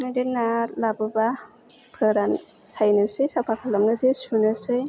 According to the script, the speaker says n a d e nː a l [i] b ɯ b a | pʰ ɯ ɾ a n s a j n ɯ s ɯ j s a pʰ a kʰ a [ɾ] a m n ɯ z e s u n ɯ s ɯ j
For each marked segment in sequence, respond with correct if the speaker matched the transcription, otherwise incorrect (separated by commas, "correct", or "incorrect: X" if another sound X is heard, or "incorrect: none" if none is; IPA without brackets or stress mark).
incorrect: a, incorrect: l